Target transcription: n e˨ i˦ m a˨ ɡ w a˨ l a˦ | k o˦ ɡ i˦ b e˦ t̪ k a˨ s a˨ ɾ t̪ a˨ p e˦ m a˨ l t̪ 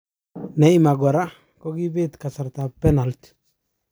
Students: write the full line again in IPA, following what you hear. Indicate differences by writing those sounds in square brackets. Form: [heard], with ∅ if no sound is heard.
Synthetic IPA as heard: n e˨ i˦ m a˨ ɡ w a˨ [ɾ] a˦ | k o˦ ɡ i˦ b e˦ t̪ k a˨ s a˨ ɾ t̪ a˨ p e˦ [n] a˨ l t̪